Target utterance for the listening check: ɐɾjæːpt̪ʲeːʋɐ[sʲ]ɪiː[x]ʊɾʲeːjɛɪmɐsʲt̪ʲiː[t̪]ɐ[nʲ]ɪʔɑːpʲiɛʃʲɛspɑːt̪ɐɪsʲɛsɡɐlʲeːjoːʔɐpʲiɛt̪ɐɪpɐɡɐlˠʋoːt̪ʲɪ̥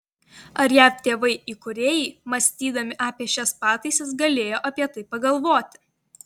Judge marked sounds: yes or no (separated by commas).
no, no, no, no